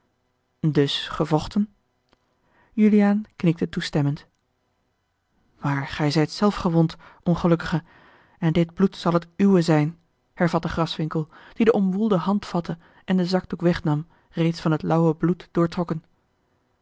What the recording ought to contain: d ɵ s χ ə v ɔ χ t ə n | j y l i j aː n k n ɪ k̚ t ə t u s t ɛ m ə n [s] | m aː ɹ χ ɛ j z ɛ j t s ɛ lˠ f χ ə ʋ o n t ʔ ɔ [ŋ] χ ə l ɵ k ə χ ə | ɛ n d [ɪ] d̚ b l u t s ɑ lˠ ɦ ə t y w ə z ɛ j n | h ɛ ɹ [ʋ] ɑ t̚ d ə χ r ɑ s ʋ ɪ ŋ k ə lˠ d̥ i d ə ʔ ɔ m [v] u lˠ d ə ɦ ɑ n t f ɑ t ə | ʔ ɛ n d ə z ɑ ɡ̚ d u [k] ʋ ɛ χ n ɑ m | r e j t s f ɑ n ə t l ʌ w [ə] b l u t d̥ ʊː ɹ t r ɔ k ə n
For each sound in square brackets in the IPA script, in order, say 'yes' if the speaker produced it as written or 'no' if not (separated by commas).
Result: no, no, yes, no, no, yes, yes